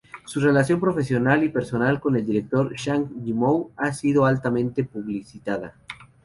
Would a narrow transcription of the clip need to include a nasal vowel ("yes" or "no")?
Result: yes